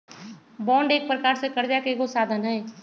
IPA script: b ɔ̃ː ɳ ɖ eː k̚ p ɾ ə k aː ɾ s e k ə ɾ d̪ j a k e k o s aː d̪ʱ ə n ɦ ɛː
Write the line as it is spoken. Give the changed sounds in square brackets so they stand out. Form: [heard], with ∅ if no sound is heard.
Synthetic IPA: b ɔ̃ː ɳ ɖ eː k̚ p ɾ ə k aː ɾ s e k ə ɾ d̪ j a k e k o s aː d̪ʱ ə n ɦ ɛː